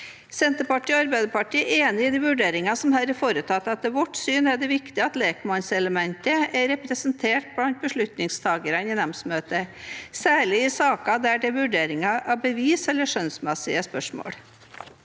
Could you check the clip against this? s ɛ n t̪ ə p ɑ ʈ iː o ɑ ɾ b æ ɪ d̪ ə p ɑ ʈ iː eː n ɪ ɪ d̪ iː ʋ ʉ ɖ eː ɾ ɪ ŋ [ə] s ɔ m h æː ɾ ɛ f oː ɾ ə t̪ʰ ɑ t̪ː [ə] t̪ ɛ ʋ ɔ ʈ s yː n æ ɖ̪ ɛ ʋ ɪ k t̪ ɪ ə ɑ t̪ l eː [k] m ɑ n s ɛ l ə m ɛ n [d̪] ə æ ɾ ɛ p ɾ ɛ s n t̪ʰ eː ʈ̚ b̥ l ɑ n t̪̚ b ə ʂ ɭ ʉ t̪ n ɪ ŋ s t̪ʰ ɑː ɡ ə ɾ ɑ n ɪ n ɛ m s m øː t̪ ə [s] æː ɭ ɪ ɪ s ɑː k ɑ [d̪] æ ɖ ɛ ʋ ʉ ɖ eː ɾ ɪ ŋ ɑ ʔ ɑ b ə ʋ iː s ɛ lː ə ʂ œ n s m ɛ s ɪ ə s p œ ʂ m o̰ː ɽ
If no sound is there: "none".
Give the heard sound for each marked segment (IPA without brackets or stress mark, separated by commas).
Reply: ɑ, ɑ, k, t̪, s, d̪